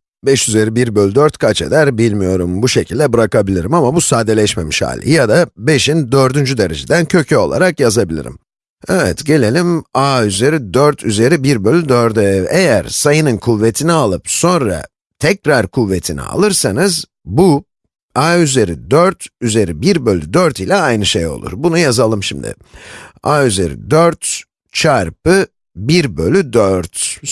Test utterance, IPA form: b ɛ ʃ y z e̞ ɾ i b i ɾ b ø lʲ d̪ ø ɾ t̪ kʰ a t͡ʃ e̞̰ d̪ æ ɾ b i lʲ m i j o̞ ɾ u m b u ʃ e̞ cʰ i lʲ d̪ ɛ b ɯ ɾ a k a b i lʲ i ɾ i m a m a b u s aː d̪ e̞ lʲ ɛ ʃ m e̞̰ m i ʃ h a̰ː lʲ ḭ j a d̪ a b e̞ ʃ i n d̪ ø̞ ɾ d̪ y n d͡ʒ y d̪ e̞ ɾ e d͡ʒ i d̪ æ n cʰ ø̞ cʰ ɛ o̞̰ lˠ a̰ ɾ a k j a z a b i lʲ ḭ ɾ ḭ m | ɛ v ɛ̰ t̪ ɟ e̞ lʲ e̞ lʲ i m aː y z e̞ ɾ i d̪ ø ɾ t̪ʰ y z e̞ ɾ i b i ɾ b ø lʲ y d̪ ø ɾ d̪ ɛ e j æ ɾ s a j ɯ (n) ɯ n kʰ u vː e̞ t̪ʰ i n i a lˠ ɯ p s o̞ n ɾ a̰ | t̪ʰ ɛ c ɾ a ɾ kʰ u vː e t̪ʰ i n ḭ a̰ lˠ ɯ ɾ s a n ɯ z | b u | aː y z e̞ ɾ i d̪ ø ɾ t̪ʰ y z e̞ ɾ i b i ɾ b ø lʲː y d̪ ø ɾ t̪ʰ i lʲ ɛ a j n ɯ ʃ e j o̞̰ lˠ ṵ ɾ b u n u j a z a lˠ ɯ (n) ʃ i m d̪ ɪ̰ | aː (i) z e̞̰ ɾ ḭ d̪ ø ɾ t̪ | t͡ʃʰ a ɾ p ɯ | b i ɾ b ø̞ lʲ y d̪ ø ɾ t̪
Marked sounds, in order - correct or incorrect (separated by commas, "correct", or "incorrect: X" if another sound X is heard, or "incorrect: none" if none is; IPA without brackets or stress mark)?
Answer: correct, incorrect: m, incorrect: y